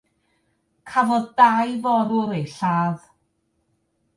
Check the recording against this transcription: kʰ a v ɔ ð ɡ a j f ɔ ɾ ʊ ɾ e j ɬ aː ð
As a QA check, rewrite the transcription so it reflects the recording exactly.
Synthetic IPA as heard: kʰ a v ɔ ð d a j v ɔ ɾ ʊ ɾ e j ɬ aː ð